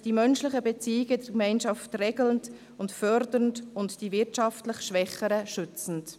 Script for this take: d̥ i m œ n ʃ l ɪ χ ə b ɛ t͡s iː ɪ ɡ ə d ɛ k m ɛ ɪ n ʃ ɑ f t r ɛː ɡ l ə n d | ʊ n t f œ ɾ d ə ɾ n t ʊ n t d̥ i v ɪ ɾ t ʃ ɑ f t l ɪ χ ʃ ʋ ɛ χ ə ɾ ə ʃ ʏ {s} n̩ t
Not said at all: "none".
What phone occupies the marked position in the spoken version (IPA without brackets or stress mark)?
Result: t͡s